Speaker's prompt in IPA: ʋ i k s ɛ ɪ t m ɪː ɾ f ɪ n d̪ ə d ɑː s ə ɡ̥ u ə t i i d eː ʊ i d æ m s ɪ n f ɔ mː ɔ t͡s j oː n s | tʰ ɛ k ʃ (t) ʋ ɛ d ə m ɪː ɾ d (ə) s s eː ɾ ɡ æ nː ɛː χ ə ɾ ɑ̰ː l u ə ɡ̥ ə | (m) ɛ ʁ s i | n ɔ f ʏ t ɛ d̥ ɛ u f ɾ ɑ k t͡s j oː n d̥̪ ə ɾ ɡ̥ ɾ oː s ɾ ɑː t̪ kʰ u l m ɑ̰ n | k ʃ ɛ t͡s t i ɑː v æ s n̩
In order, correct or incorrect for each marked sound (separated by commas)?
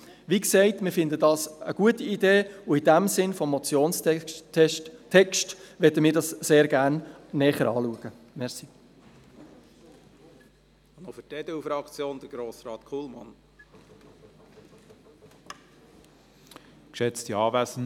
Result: correct, incorrect, correct